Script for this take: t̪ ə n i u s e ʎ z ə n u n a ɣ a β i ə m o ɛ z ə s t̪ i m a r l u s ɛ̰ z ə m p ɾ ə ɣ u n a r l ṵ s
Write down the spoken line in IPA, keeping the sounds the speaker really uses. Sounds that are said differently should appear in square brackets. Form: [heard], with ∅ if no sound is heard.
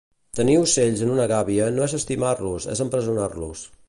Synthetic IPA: t̪ ə n i u s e ʎ z ə n u n [ə] ɣ a β i ə [n] o ɛ z ə s t̪ i m a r l u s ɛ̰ z ə m p ɾ ə [z] u n a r l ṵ s